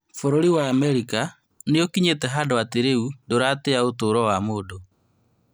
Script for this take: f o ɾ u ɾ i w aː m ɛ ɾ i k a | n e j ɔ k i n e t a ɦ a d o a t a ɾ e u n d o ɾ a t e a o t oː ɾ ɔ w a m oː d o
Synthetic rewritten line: f o ɾ o ɾ i w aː m ɛ ɾ i k a | n e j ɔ k i ɲ e t ɛ ɦ a d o a t e ɾ e u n d o ɾ a t e a o t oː ɾ ɔ w a m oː d o